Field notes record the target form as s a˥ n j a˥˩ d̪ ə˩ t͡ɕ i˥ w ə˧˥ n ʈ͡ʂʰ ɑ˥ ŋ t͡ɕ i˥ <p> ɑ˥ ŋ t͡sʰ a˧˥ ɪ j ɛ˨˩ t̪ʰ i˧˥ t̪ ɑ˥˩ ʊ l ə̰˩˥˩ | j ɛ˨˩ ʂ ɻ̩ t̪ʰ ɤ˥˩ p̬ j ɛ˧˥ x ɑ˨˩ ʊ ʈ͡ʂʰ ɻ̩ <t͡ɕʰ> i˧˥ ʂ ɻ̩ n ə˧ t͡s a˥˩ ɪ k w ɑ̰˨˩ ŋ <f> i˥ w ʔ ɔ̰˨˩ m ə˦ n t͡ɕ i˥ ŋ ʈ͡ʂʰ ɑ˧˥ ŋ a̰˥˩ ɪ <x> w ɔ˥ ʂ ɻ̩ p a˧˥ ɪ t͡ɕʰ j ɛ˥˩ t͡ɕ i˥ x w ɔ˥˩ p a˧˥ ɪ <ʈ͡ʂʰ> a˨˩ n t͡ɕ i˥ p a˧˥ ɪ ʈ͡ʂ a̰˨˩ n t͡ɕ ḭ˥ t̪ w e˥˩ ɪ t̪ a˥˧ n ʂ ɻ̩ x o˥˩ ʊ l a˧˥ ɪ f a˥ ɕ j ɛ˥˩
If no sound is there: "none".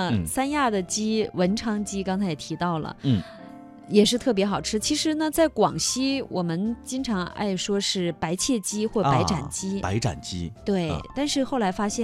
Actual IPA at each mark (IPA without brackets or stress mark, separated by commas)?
k, t͡ɕʰ, ɕ, ʂ, ʈ͡ʂ